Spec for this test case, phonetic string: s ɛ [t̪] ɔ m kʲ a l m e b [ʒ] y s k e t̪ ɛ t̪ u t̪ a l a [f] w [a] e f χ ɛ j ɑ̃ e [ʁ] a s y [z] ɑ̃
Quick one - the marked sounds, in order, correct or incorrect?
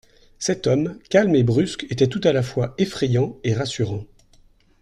correct, incorrect: ʁ, correct, correct, correct, incorrect: ʁ

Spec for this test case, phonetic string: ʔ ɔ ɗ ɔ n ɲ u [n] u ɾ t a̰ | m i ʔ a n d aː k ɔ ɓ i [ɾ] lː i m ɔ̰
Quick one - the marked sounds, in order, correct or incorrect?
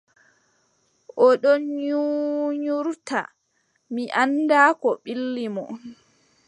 incorrect: ɲ, incorrect: none

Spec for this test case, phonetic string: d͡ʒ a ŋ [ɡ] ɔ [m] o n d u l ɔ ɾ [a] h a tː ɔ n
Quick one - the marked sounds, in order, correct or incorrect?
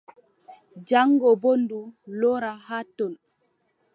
correct, incorrect: b, correct

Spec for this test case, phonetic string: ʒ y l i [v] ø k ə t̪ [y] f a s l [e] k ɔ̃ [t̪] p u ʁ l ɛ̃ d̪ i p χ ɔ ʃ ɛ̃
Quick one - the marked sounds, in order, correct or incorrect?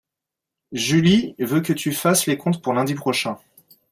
correct, correct, correct, correct

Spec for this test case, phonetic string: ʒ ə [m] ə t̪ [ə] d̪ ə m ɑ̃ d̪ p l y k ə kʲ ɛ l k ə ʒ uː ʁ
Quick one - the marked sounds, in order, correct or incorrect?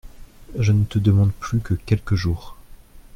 incorrect: n, correct

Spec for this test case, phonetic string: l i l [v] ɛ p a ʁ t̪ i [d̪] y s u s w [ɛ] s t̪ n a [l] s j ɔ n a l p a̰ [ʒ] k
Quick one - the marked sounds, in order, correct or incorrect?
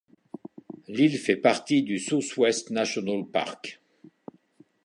incorrect: f, correct, correct, incorrect: none, incorrect: ʁ

